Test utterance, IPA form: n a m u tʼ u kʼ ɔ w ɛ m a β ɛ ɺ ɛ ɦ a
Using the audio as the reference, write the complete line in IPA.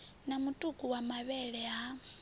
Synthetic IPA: n a m u tʼ u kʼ u w a m a β ɛ ɺ ɛ ɦ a